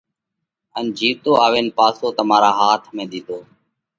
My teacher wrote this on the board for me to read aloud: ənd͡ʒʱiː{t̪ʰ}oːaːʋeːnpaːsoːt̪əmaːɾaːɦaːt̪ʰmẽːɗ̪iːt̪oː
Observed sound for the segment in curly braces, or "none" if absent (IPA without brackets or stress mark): t̪